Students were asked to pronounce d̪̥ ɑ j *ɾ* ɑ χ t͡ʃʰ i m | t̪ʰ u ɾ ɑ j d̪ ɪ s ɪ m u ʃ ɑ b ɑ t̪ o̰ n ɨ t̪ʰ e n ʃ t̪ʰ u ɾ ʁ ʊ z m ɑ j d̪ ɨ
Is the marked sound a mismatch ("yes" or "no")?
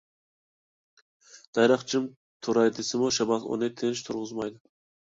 no